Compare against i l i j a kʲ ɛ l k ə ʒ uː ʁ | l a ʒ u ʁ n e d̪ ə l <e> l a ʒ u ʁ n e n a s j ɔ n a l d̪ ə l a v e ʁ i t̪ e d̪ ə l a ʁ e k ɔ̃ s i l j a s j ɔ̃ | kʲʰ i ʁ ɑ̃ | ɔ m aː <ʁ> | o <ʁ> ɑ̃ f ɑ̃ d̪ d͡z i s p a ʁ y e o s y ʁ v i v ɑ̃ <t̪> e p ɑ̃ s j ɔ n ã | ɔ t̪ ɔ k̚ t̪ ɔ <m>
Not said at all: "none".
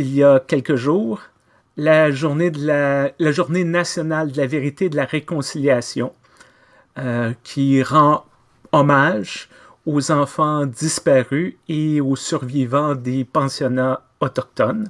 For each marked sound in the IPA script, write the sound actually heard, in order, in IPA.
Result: a, ʒ, z, d̪, n

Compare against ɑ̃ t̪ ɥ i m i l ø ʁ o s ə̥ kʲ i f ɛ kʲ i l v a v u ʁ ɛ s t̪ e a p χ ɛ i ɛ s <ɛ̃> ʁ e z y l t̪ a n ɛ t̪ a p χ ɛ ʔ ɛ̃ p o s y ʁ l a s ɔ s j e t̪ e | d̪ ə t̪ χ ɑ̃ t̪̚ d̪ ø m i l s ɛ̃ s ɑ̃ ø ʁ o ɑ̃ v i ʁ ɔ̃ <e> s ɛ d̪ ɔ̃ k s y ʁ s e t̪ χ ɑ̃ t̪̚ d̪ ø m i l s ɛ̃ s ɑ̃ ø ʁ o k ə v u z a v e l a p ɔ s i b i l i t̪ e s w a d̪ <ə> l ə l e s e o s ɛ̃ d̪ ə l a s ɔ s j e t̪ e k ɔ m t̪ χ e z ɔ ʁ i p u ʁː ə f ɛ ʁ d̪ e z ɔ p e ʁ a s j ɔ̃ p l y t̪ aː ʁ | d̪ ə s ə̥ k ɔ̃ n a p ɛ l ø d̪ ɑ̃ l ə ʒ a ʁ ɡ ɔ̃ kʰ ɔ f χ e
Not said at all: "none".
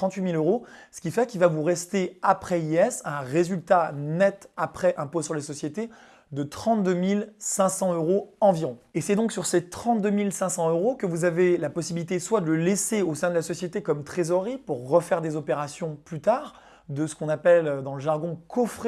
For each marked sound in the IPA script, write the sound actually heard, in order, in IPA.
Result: ɛ̃, e, ə

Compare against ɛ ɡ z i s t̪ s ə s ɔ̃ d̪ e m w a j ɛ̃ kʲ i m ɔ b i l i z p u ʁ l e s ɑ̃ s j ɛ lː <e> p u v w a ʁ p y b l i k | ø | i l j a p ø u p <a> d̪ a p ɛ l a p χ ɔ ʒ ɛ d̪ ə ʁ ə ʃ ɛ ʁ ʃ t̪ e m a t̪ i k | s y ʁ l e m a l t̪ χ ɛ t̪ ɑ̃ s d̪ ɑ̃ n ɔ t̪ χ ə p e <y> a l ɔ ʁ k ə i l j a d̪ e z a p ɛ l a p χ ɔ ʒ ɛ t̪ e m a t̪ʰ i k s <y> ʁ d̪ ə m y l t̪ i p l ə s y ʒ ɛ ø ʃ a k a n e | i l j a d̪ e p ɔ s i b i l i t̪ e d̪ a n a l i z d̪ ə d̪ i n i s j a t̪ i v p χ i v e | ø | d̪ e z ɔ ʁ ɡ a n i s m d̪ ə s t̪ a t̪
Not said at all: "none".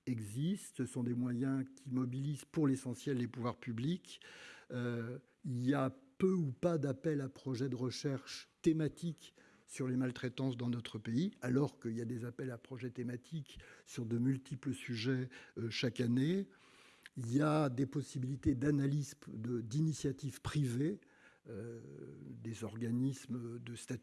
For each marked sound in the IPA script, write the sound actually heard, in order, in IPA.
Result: e, a, i, y

